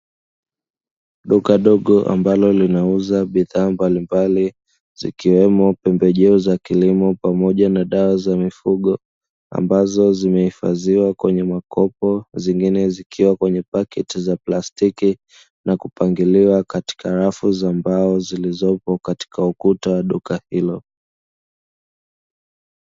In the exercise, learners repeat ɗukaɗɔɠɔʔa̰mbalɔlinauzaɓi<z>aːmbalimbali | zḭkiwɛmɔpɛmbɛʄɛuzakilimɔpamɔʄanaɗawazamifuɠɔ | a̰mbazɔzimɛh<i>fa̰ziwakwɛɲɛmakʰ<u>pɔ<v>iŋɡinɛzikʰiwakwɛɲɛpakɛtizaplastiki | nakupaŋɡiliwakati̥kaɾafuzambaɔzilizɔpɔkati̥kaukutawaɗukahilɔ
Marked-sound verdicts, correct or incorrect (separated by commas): incorrect, correct, incorrect, incorrect